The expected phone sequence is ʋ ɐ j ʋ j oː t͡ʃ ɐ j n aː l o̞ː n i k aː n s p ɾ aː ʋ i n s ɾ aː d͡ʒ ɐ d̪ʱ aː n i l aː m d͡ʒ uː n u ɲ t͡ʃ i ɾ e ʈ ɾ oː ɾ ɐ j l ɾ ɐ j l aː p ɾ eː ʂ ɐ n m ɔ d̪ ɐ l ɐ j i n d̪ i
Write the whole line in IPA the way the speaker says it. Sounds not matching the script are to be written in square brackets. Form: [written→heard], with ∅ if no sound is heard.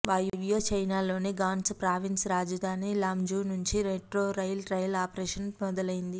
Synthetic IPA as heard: ʋ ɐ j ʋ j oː t͡ʃ ɐ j n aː l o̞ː n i [k→ɡ] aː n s p ɾ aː ʋ i n s ɾ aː d͡ʒ ɐ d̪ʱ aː n i l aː m d͡ʒ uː n u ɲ t͡ʃ i ɾ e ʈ ɾ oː ɾ ɐ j l ɾ ɐ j l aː p ɾ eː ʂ ɐ n m ɔ d̪ ɐ l ɐ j i n d̪ i